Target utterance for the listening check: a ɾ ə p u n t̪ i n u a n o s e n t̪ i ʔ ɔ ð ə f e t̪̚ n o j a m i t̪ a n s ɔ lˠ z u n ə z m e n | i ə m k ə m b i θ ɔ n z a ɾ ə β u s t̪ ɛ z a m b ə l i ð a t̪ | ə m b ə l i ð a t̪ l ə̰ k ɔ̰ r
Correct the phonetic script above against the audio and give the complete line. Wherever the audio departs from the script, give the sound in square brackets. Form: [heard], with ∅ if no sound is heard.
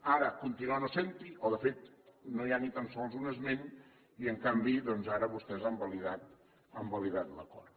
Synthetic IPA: a ɾ ə [k] u n t̪ i n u a n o s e n t̪ i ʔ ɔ ð ə f e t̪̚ n o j a [n] i t̪ a n s ɔ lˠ z u n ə z m e n | i ə [ŋ] k [a] m b i [ð] ɔ n z a ɾ ə β u s t̪ ɛ z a m b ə l i ð a t̪ | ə m b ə l i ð a t̪ l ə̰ k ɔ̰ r